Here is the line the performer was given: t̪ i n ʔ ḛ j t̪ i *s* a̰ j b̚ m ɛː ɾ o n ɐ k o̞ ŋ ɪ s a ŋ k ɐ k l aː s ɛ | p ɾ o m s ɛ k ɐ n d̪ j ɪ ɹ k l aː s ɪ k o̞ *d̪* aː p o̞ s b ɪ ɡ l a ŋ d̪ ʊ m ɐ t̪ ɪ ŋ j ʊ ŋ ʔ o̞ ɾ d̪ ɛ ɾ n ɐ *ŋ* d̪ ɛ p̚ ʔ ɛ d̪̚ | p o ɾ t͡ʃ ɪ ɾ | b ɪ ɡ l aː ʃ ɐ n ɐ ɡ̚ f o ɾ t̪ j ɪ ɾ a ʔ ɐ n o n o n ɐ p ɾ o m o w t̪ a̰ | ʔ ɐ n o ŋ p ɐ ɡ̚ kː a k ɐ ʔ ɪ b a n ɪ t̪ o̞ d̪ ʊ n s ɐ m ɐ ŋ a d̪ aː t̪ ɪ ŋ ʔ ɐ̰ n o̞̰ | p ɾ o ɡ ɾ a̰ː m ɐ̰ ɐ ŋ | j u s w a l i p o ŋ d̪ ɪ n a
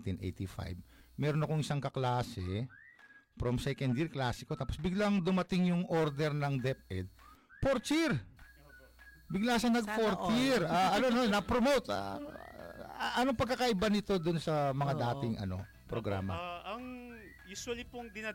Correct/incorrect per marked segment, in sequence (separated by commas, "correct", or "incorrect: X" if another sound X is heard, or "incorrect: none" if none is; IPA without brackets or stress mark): incorrect: f, incorrect: t̪, correct